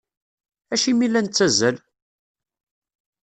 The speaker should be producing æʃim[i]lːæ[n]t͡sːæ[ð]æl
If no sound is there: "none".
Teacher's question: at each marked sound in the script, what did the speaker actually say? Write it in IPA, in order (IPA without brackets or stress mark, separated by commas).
i, n, z